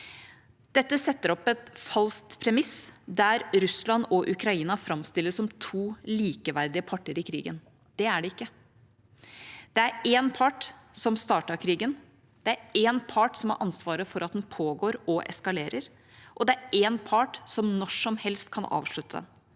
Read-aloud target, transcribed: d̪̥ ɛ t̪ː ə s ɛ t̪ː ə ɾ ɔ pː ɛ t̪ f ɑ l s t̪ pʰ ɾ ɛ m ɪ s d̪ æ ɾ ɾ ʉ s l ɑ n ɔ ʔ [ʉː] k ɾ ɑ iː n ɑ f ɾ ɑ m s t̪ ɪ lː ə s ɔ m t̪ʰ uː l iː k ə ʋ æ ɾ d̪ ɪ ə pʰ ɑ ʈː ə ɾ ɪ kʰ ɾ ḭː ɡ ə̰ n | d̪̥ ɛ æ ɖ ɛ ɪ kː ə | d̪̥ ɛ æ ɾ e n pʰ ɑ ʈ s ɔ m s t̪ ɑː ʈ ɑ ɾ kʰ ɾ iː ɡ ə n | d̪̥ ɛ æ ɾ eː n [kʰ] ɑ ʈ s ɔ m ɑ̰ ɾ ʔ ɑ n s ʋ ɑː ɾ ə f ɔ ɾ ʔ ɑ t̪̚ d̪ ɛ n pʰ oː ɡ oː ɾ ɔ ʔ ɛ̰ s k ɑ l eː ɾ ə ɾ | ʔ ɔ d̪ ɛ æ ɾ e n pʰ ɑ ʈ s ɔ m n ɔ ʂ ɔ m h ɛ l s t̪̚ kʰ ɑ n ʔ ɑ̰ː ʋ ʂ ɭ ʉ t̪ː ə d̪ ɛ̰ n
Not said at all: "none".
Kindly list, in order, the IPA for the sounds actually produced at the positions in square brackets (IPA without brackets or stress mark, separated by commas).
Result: ʉ, pʰ